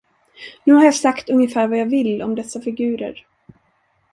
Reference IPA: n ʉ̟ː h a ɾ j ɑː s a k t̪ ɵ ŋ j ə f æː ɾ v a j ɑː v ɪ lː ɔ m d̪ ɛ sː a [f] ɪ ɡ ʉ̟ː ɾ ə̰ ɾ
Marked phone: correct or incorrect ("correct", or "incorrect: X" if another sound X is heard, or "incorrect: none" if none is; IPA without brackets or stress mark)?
correct